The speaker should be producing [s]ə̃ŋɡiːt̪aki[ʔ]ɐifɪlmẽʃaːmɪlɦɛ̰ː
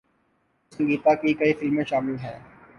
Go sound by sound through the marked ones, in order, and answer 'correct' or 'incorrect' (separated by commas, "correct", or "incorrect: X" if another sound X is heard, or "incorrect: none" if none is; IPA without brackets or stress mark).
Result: correct, incorrect: k